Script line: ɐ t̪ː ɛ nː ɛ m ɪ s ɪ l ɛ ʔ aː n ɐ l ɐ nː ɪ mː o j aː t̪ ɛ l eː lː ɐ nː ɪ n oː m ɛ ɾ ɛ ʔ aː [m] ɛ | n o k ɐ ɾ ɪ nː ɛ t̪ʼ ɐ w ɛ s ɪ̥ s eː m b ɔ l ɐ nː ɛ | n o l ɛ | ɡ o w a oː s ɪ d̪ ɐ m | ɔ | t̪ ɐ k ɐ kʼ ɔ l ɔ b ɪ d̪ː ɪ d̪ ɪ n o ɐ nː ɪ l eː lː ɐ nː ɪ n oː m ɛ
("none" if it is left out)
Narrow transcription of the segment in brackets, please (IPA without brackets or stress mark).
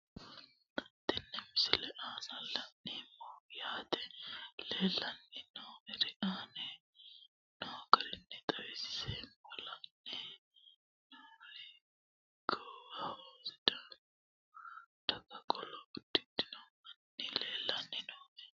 n